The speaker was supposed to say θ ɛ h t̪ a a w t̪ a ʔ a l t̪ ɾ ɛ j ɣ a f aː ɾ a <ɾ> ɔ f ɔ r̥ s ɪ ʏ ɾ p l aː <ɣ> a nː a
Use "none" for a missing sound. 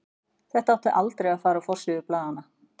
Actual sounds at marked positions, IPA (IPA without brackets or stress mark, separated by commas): none, ð